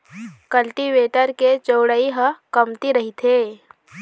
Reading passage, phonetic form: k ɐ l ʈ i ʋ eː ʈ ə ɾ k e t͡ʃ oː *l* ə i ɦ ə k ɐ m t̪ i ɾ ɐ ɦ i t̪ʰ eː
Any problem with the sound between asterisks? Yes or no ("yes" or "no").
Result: yes